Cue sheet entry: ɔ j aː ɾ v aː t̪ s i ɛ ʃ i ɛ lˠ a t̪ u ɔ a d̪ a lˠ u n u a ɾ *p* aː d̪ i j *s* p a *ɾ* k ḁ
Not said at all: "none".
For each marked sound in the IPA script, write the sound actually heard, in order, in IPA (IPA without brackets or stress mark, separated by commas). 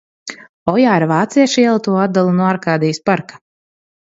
k, s, ɾ